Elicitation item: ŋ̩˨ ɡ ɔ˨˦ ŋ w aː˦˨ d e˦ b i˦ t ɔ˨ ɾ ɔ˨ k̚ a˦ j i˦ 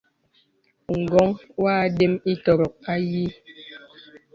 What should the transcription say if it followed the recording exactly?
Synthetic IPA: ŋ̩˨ ɡ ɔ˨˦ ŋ w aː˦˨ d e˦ m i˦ t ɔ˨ ɾ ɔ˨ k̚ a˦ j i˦